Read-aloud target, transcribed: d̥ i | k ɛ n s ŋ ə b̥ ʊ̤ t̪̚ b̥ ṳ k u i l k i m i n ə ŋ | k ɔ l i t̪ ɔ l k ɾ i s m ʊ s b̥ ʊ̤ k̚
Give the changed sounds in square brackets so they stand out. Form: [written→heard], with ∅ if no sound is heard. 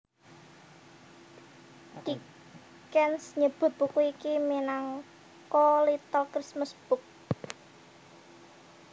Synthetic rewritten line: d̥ i | k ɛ n s [ŋ→ɲ] ə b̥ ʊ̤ t̪̚ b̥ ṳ k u i [l→∅] k i m i n [ə→a] ŋ | k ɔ l i t̪ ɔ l k ɾ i s m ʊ s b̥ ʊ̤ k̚